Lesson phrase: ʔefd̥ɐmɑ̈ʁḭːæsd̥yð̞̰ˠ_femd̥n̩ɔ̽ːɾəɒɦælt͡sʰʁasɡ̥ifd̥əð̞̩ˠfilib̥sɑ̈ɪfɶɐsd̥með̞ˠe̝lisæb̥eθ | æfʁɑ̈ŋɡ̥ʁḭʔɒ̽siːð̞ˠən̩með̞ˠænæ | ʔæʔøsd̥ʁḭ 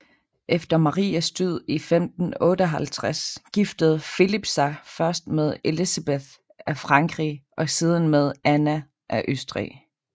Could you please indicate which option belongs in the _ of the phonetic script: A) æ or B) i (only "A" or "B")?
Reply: B